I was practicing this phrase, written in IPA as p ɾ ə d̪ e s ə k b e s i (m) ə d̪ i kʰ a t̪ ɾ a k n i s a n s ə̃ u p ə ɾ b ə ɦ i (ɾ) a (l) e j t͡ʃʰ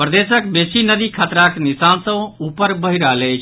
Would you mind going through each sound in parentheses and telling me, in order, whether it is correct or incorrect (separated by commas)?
incorrect, correct, correct